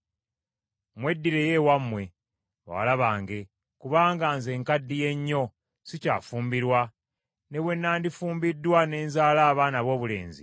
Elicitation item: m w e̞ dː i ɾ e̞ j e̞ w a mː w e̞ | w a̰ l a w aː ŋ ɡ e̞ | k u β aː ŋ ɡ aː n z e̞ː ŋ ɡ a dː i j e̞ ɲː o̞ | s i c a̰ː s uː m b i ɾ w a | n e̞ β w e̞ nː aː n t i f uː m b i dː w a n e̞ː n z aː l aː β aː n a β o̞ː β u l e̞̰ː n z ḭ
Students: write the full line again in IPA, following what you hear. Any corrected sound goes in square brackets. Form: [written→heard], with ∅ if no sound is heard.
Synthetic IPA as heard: m w e̞ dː i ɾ e̞ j e̞ w a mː w e̞ | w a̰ l a [w→β] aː ŋ ɡ e̞ | k u β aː ŋ ɡ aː n z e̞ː ŋ [ɡ→k] a dː i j e̞ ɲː o̞ | s i c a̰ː [s→f] uː m b i ɾ w a | n e̞ β w e̞ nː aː n [t→d] i f uː m b i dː w a n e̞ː n z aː l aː β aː n a β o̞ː β u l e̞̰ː n z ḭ